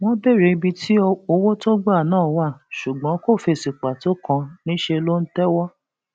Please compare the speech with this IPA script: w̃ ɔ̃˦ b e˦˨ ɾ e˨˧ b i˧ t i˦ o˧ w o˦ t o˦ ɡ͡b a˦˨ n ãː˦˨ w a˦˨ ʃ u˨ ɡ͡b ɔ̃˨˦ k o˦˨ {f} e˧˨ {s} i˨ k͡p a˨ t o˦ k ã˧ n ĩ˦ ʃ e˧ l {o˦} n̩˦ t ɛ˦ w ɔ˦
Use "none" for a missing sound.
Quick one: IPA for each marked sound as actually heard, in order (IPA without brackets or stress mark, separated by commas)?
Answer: f, s, o˦